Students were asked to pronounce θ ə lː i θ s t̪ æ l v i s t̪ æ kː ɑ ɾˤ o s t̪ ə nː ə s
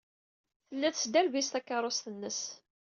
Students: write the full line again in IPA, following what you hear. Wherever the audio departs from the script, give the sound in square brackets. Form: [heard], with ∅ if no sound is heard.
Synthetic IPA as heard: θ ə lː [æ] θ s [d̪] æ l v i s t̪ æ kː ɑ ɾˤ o s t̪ ə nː ə s